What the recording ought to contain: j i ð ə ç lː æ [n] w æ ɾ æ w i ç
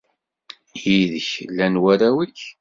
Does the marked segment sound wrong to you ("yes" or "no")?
no